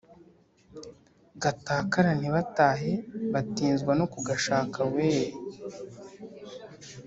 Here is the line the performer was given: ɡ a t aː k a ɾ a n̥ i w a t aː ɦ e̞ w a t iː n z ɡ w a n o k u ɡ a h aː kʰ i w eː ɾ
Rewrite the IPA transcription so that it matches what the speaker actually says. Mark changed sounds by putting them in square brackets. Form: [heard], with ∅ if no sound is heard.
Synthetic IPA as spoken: ɡ a t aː k a ɾ a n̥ i [β] a t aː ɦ e̞ [β] a t iː n z ɡ w a n o k u ɡ a [ʃ] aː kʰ [a] w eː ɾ